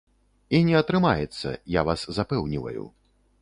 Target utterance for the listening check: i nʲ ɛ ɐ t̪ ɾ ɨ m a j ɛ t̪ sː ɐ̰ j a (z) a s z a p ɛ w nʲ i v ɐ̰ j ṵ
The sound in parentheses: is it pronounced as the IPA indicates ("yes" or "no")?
no